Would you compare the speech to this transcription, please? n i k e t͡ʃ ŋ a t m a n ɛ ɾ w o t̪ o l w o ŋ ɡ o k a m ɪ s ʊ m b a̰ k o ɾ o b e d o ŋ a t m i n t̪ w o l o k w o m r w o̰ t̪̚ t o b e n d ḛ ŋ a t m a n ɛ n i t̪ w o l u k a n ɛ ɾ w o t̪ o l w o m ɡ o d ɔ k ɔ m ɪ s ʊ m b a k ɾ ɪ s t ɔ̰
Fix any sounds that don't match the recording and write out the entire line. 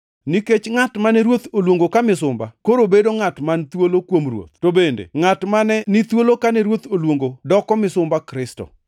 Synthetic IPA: n i k e t͡ʃ ŋ a t m a n ɛ ɾ w o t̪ o l w o ŋ ɡ o k a m ɪ s ʊ m b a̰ k o ɾ o b e d o ŋ a t m a n t̪ w o l o k w o m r w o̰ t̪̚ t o b e n d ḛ ŋ a t m a n ɛ n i t̪ w o l o k a n ɛ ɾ w o t̪ o l w o ŋ ɡ o d ɔ k ɔ m ɪ s ʊ m b a k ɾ ɪ s t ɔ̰